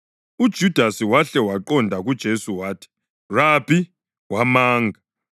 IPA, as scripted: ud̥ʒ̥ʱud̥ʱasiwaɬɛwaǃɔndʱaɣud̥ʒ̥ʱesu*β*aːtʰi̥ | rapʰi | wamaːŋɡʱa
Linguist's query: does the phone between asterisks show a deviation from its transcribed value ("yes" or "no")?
yes